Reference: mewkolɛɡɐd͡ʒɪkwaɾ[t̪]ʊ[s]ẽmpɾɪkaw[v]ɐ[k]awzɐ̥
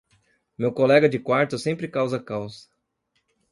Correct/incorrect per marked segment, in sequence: correct, correct, incorrect: z, correct

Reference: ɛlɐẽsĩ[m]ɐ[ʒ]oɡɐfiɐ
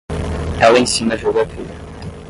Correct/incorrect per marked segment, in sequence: incorrect: n, correct

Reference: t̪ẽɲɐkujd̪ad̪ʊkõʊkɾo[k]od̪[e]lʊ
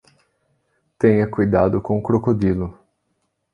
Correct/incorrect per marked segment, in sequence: correct, incorrect: i

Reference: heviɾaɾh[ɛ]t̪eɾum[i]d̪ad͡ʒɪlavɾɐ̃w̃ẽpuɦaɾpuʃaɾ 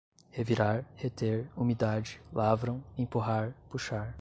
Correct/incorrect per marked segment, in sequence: incorrect: e, correct

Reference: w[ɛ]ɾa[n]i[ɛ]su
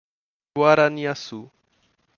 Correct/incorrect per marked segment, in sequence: incorrect: a, correct, incorrect: a

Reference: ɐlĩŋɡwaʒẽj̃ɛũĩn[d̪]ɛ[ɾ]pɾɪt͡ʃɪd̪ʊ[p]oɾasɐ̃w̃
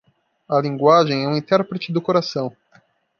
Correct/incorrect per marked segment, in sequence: incorrect: t̪, correct, incorrect: k

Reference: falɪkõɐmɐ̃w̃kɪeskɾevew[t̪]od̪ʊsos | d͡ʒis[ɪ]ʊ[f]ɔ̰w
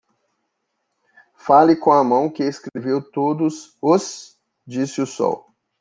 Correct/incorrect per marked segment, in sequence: correct, correct, incorrect: s

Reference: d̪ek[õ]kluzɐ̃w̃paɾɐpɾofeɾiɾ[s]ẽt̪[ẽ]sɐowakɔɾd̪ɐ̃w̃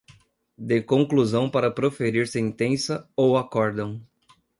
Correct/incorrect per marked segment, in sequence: correct, correct, correct

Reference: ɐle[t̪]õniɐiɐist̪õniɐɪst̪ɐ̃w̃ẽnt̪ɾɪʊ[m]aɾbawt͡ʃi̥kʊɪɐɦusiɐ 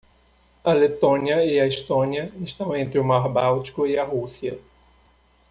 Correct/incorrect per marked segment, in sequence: correct, correct

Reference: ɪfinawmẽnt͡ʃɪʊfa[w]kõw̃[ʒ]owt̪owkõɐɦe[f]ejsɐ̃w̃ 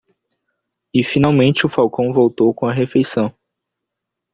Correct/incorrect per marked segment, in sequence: correct, incorrect: v, correct

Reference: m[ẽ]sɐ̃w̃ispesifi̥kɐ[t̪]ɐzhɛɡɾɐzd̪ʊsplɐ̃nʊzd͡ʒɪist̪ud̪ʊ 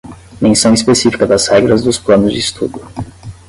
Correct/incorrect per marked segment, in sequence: correct, incorrect: d̪

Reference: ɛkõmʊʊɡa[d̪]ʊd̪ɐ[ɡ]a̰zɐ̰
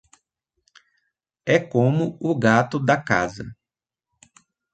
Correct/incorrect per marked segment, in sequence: incorrect: t̪, incorrect: k

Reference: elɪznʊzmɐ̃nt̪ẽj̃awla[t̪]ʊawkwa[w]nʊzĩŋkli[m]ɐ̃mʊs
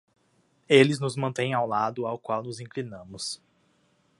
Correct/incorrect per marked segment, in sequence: incorrect: d̪, correct, incorrect: n

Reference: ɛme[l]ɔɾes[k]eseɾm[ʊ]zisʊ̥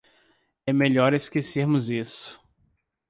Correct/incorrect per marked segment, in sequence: incorrect: ʎ, correct, correct

